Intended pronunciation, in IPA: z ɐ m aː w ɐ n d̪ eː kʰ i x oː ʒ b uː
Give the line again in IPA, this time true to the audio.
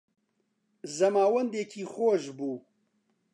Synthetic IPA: z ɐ m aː w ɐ n d̪ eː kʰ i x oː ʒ b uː

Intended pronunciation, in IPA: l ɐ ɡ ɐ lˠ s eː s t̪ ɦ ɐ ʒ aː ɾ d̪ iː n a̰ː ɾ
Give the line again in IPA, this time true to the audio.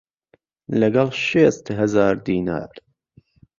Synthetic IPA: l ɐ ɡ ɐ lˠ ʃ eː s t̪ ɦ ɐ z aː ɾ d̪ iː n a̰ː ɾ

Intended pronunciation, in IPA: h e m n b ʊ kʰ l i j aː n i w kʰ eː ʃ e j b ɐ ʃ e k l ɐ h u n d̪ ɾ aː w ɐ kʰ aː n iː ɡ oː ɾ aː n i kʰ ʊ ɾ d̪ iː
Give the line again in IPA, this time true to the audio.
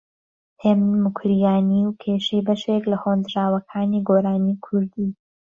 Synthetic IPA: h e m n m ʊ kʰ ɾ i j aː n i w kʰ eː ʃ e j b ɐ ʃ e k l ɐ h o n d̪ ɾ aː w ɐ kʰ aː n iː ɡ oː ɾ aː n i kʰ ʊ ɾ d̪ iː

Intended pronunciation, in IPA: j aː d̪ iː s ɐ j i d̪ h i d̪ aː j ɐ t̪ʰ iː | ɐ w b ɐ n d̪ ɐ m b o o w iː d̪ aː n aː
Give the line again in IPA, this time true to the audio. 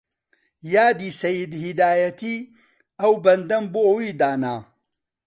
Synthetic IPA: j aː d̪ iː s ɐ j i d̪ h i d̪ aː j ɐ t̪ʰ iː | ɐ w b ɐ n d̪ ɐ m b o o w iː d̪ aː n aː

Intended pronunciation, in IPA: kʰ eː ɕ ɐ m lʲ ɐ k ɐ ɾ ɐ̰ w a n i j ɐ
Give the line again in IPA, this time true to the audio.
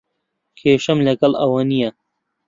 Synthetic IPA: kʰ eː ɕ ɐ m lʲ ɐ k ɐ l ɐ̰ w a n i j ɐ

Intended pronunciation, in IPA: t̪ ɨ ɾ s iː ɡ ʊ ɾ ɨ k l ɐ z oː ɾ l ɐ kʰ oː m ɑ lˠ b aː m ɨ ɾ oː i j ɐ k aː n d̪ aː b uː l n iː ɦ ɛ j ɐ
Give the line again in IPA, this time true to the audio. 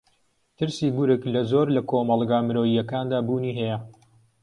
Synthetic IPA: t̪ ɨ ɾ s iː ɡ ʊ ɾ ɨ k l ɐ z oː ɾ l ɐ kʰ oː m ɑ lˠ ɡ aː m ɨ ɾ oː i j ɐ k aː n d̪ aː b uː n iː ɦ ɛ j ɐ

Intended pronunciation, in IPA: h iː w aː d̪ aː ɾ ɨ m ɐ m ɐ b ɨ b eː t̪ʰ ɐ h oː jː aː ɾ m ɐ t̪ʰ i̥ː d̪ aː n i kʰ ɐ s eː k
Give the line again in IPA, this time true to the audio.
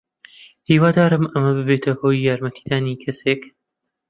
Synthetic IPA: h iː w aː d̪ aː ɾ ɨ m ɐ m ɐ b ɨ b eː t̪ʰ ɐ h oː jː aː ɾ m ɐ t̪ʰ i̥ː d̪ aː n i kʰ ɐ s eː k

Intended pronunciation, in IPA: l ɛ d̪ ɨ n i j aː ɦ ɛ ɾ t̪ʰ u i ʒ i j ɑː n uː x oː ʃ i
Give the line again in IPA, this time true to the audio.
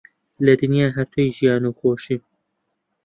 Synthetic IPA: l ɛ d̪ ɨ n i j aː ɦ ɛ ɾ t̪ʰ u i ʒ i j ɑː n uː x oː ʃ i

